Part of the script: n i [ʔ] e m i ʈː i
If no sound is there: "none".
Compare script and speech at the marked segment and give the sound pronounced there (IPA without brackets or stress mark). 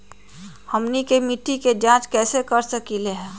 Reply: k